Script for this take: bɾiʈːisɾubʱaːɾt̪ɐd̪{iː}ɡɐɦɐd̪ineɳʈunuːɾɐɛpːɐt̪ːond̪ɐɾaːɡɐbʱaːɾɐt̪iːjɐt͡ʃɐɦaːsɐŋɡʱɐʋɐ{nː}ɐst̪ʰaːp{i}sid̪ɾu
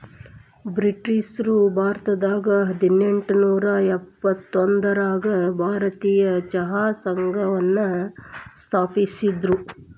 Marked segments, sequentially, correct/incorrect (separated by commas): incorrect, correct, correct